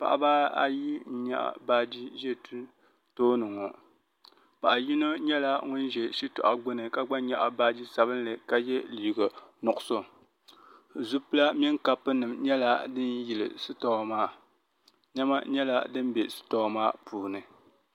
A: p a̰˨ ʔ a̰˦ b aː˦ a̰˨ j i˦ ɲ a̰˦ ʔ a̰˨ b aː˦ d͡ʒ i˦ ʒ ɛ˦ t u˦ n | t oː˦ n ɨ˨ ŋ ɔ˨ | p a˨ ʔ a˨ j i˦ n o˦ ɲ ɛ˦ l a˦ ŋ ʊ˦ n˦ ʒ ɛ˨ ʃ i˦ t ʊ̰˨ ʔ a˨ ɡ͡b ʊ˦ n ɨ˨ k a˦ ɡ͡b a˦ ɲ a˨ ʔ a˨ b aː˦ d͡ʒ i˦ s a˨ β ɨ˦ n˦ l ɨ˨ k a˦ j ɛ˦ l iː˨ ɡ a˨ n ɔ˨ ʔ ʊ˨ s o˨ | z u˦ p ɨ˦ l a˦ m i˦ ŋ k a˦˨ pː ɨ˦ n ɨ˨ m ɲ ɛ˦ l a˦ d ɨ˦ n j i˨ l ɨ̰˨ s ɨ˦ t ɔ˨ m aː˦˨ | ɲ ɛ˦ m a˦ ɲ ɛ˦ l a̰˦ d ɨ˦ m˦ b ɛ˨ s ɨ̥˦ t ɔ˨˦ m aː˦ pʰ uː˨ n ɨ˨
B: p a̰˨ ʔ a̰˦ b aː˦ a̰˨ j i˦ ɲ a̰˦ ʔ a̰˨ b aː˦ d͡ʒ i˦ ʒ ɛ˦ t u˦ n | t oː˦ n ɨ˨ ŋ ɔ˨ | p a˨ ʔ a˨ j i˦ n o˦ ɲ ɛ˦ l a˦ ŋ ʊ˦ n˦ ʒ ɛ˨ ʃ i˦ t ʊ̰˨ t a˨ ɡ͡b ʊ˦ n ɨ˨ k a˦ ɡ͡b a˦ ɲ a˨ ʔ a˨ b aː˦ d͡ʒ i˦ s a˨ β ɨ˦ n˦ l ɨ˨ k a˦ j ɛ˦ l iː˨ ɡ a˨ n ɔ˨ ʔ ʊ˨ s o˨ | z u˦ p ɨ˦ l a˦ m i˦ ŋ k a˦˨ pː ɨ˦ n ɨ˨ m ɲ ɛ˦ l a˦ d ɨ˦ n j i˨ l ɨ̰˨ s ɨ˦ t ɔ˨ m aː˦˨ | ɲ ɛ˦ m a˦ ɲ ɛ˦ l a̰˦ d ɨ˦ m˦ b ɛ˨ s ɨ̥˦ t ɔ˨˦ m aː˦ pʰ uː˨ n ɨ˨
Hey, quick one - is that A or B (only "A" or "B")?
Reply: A